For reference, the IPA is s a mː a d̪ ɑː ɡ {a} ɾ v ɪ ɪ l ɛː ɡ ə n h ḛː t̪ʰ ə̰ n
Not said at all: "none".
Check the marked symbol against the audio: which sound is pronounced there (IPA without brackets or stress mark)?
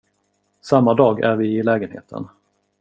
æ